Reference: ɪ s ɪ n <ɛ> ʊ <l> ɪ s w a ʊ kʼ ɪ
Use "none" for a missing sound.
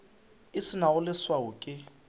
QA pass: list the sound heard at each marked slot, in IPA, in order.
a, l

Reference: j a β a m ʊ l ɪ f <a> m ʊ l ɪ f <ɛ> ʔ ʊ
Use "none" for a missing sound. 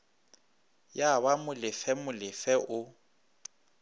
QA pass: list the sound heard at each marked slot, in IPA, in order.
ɛ, ɛ

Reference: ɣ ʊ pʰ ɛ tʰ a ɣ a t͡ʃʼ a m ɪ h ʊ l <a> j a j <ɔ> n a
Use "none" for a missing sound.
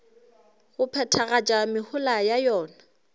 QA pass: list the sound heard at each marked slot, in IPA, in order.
a, ɔː

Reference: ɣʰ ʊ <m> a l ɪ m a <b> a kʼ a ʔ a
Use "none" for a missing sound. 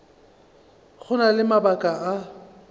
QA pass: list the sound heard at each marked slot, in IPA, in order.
n, b

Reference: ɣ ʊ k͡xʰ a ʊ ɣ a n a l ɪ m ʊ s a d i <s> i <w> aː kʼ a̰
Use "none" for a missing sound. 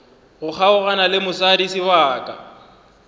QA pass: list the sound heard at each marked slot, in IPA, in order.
s, w

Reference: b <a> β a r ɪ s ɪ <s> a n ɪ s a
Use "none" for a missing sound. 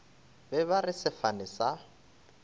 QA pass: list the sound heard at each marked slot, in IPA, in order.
ɛ, f

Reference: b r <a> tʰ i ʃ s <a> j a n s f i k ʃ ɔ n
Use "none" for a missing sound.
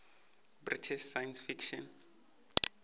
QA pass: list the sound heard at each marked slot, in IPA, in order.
i, a

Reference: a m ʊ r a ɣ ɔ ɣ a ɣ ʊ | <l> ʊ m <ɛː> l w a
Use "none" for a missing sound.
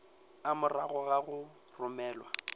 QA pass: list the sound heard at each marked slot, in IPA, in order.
r, ɛː

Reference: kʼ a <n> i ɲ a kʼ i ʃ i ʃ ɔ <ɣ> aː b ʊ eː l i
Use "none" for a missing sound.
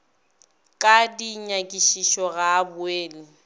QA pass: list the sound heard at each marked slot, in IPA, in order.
d, ɣ

